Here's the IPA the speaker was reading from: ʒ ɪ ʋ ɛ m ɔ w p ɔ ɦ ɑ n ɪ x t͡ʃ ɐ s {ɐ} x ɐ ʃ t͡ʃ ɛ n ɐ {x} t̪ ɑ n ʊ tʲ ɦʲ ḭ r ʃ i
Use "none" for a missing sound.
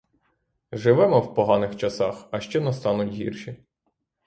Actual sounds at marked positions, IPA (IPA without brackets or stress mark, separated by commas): ɑ, s